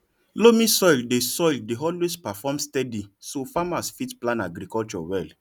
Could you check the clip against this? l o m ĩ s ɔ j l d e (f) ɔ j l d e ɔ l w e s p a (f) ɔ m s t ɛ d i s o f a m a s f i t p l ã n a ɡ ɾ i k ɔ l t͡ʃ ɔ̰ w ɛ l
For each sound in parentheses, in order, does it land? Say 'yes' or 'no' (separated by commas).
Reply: no, yes